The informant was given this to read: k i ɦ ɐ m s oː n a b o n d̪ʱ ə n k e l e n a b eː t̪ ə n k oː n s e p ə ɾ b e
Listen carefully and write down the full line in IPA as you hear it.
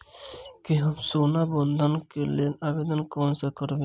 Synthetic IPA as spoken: k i ɦ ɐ m s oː n a b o n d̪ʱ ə n k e l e n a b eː d̪ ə n k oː n s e k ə ɾ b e